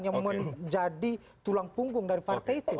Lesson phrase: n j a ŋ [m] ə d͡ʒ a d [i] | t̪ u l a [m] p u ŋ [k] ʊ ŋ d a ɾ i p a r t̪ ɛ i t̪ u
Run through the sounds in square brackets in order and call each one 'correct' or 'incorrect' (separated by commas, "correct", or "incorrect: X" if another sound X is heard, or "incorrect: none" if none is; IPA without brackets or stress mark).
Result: correct, correct, incorrect: ŋ, incorrect: ɡ